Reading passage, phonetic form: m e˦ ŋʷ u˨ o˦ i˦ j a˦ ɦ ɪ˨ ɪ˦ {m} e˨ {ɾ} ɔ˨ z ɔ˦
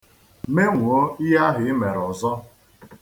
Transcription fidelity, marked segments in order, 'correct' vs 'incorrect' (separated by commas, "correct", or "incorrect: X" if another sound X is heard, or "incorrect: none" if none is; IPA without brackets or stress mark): correct, correct